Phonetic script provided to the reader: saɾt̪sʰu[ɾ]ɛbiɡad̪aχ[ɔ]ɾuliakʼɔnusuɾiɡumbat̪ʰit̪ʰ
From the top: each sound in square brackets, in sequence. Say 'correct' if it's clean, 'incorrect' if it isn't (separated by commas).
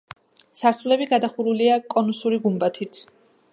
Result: incorrect, incorrect